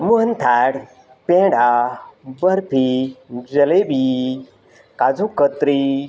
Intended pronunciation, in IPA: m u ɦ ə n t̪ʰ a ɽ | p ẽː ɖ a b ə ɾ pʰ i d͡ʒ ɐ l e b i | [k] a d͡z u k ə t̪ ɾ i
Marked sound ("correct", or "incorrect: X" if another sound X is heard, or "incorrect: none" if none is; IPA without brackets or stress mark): correct